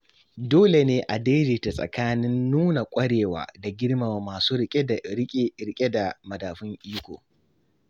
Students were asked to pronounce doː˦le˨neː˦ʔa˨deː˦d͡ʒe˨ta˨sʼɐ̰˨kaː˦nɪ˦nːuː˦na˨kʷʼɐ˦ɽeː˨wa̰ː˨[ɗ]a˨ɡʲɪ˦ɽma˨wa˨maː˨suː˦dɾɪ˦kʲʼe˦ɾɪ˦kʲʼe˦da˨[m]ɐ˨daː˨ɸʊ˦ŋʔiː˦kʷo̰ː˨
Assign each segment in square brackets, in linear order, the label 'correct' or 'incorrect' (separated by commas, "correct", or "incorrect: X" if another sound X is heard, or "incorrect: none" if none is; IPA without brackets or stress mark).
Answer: incorrect: d, correct